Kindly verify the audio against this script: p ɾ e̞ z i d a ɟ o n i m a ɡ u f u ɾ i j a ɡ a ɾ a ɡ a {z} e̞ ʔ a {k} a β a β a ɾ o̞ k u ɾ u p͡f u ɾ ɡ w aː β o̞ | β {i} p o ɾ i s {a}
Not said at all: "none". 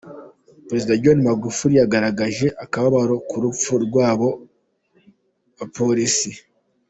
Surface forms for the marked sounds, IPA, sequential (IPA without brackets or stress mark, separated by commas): ʒ, k, a, i